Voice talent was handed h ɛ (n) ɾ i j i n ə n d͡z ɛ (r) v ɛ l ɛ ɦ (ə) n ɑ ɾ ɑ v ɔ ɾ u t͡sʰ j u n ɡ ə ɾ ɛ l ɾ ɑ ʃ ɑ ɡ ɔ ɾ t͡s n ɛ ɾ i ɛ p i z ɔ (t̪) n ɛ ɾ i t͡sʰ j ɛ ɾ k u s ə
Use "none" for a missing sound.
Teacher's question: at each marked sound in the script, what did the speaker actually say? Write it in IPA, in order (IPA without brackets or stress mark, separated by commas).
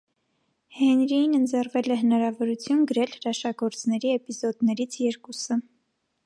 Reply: n, r, ə, d̪